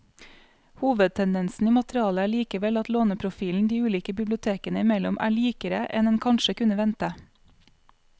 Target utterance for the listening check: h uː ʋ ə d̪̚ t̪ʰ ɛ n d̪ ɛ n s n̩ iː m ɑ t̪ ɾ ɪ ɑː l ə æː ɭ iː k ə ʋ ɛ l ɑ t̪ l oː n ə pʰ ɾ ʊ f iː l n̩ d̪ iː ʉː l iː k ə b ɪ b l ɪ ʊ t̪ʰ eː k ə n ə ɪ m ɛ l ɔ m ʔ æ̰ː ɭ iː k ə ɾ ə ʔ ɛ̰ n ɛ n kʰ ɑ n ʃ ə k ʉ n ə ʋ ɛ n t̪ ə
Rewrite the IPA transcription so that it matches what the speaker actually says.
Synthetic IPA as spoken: h uː ʋ ə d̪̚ t̪ʰ ɛ n d̪ ɛ n s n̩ iː m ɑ t̪ ɾ ɪ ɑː l ə æː ɭ iː k ə ʋ ɛ l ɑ t̪ l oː n ə pʰ ɾ ʊ f iː l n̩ d̪ iː ʉː l iː k ə b ɪ b l ɪ ʊ t̪ʰ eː k ə n ə ɪ m ɛ l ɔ m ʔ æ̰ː ɭ iː k ə ɾ ə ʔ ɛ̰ n ɛ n kʰ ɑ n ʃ ə k ʉ n ə ʋ ɛ n t̪ ə